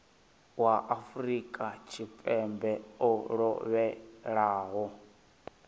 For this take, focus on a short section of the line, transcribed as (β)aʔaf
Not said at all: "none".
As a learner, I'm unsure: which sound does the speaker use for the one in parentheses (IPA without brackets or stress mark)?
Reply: w